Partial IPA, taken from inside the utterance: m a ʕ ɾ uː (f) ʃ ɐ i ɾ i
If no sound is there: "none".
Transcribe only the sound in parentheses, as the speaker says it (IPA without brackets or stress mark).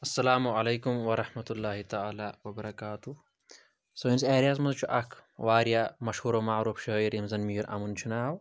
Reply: f